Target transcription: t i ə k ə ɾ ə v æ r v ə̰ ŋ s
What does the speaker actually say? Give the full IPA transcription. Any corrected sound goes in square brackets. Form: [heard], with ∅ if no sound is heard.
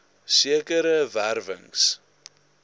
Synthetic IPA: [s] i ə k ə ɾ ə v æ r v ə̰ ŋ s